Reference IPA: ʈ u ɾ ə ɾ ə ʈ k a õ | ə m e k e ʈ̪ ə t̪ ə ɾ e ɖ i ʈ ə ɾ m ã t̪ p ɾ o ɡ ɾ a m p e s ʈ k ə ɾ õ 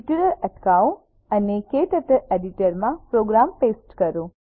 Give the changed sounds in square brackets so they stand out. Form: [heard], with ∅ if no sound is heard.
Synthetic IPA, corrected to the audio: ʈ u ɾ ə ɾ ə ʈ k a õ | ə [n] e k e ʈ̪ ə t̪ ə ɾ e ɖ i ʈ ə ɾ m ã [∅] p ɾ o ɡ ɾ a m p e s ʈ k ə ɾ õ